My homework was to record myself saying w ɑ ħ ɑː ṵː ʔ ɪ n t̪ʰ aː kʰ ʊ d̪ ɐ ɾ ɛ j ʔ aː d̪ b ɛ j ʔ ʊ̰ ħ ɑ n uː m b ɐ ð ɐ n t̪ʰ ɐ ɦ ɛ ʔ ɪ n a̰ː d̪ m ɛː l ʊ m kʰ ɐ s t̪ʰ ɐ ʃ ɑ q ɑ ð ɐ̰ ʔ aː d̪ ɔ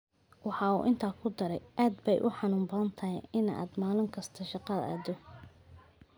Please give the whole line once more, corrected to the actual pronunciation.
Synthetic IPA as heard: w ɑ ħ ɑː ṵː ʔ ɪ n t̪ʰ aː kʰ ʊ d̪ ɐ ɾ ɛ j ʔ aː d̪ b ɛ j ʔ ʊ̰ ħ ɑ n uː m b ɐ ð ɐ n t̪ʰ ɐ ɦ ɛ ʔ ɪ n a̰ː d̪ m aː l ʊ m kʰ ɐ s t̪ʰ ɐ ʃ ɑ q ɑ ð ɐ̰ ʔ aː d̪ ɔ